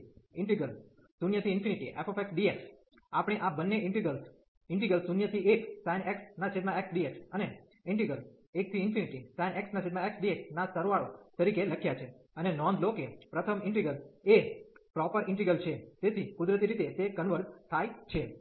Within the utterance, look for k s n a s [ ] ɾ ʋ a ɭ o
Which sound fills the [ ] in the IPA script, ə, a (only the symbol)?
ə